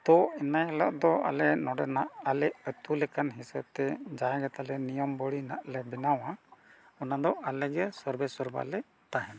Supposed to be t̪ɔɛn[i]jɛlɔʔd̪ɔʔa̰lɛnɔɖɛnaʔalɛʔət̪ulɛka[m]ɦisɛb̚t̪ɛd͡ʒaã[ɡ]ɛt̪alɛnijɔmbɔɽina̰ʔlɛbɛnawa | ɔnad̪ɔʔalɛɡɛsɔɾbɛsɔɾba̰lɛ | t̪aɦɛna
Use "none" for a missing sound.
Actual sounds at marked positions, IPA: a, n, ɡ

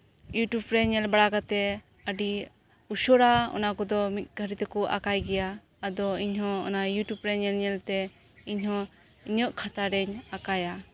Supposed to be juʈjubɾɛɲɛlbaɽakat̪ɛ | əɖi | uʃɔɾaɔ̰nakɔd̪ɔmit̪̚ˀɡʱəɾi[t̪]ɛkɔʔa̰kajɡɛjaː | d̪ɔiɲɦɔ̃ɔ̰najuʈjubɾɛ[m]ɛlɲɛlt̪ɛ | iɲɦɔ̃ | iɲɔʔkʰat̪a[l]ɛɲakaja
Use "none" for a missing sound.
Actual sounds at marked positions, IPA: t̪, ɲ, ɾ

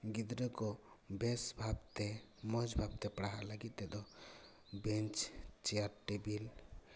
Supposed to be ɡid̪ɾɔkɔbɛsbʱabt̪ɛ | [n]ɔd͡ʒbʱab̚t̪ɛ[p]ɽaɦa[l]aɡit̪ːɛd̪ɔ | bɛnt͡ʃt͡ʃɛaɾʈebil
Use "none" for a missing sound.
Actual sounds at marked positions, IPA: m, p, l

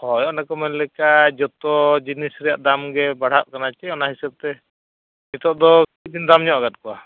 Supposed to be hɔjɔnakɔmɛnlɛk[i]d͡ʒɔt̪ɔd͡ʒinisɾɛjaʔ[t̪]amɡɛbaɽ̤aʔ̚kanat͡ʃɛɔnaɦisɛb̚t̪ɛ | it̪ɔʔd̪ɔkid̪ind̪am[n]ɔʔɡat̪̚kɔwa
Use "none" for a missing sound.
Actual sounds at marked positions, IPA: a, d̪, ɲ

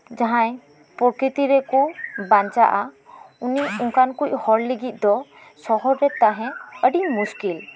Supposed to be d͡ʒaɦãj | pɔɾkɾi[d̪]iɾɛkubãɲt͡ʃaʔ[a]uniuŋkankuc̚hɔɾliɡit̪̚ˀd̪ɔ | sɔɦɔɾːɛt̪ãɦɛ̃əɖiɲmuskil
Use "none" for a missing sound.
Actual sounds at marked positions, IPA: t̪, a

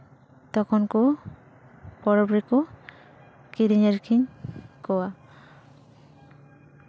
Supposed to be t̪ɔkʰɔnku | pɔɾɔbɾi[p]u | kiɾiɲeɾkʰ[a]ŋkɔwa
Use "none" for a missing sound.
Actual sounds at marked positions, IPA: k, i

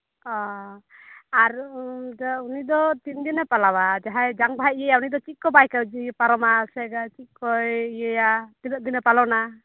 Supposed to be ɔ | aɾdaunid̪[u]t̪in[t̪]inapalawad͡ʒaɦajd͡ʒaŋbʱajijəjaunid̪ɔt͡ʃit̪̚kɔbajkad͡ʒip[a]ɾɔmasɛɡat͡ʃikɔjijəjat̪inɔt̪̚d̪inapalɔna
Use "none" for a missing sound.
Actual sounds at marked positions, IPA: ɔ, d̪, a

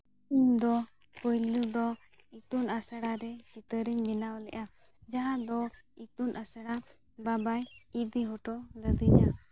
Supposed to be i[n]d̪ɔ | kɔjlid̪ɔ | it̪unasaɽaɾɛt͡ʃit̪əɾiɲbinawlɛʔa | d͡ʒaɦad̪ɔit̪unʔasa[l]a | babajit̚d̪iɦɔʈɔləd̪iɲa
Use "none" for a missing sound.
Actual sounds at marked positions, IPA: ɲ, ɽ

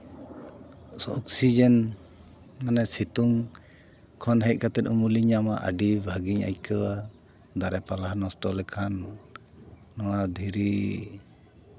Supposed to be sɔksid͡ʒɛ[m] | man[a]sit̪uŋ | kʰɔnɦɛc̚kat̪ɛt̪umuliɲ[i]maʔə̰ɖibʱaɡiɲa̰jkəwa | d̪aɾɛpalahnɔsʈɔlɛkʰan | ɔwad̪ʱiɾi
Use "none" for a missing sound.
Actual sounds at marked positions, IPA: n, ɛ, a

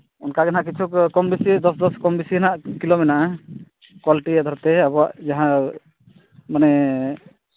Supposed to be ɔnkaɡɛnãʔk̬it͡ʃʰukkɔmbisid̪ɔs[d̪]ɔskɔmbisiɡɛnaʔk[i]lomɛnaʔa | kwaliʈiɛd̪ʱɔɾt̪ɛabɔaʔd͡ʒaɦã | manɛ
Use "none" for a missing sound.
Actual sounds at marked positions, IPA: d̪, i

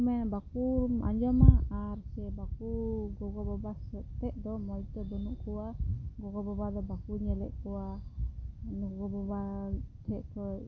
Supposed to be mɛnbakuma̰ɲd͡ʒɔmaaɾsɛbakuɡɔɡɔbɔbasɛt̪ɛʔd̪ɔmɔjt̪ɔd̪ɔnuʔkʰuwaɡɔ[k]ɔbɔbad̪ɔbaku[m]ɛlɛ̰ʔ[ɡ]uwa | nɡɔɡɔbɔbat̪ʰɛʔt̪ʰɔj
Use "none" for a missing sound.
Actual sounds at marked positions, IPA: ɡ, ɲ, k

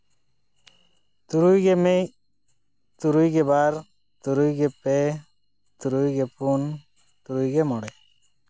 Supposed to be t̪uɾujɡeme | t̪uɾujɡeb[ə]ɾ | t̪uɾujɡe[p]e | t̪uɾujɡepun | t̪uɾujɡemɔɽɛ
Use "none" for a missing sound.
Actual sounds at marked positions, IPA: a, p

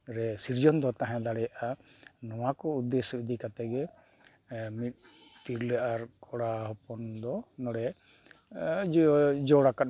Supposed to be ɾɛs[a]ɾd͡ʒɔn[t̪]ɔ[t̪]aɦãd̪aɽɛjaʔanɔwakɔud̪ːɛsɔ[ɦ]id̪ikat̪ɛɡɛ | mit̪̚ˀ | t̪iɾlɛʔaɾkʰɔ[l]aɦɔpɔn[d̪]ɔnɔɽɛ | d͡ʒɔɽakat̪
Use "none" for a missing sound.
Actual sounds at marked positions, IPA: i, d̪, t̪, none, ɽ, d̪

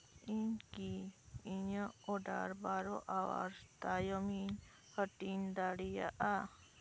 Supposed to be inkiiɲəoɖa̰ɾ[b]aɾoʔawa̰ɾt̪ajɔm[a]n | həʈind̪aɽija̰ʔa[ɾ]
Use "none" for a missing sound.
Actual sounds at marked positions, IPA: b, i, none

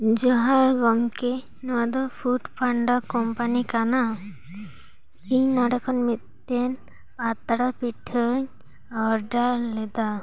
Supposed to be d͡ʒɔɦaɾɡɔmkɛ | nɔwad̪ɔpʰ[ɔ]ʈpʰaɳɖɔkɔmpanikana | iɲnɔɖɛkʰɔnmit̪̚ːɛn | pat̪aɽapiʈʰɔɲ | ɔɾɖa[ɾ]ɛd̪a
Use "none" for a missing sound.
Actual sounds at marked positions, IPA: u, l

